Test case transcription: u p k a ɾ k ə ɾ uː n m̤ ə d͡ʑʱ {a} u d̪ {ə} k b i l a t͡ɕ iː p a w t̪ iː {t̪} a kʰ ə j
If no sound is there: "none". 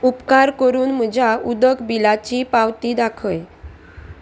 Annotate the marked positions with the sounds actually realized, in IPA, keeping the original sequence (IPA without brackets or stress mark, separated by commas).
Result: a, ə, d̪